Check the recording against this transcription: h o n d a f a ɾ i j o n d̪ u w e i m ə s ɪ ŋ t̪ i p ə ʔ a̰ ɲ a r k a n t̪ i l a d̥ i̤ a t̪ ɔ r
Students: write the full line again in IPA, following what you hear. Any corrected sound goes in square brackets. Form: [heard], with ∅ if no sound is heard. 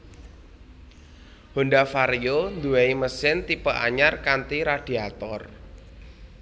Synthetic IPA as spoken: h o n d a f a ɾ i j o n d̪ u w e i m ə s ɪ [n] t̪ i p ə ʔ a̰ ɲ a r k a n t̪ i [ɾ] a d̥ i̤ a t̪ ɔ r